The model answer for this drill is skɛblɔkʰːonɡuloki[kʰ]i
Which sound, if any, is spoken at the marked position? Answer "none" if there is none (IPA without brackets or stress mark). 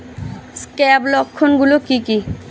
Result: k